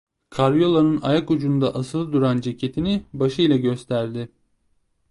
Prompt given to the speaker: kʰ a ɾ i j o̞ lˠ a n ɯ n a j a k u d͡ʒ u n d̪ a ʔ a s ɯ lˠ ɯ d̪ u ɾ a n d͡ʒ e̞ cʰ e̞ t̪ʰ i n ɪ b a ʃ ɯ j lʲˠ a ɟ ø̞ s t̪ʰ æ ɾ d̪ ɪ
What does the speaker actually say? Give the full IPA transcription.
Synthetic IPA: kʰ a ɾ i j o̞ lˠ a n ɯ n a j a k u d͡ʒ u n d̪ a ʔ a s ɯ lˠ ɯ d̪ u ɾ a n d͡ʒ e̞ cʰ e̞ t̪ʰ i n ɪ b a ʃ ɯ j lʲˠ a ɟ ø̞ s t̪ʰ æ ɾ d̪ ɪ